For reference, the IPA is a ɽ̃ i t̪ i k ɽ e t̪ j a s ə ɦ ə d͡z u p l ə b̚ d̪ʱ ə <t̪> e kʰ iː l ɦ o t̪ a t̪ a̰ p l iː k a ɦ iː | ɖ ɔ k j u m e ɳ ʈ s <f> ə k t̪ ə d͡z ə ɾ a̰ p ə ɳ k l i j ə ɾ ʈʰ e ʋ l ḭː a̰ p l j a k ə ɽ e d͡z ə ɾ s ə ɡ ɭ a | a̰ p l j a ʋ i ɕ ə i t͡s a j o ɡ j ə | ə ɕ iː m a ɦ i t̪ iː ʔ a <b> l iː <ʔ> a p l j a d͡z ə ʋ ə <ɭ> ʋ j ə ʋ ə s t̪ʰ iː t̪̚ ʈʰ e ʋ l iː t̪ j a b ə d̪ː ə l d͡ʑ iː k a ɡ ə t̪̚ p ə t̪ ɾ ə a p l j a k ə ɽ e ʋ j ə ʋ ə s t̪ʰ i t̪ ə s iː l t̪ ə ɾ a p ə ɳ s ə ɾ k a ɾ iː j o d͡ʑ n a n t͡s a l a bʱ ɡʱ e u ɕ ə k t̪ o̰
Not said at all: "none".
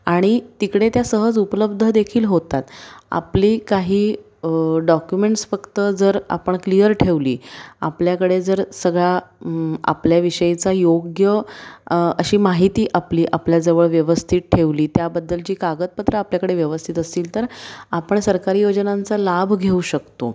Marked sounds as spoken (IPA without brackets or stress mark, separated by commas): d̪, f, p, ʔ, ɭ